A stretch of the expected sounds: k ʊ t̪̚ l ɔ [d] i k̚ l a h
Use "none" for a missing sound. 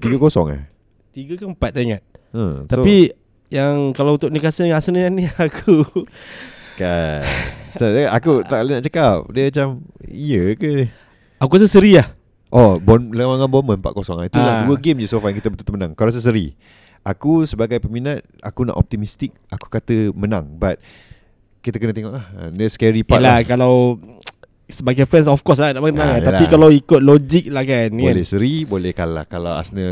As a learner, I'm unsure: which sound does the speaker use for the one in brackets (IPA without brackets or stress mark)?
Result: d͡ʒ